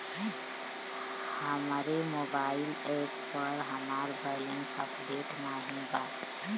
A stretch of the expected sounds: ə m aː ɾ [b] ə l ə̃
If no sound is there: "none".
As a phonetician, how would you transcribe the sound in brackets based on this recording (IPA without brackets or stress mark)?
b